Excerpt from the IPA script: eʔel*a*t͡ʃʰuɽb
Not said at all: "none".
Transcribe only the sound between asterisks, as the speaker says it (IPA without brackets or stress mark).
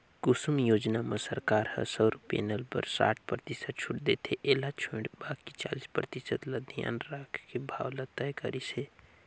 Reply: a